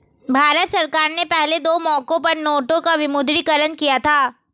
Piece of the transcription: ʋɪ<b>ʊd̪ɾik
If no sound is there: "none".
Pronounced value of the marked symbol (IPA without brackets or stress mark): m